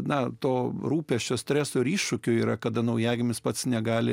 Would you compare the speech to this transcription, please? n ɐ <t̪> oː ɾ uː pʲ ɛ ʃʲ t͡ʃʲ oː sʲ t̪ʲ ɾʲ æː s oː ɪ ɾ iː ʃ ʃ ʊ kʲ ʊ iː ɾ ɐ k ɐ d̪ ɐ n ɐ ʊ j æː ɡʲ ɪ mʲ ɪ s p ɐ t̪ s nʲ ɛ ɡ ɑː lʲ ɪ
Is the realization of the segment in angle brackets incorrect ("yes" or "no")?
no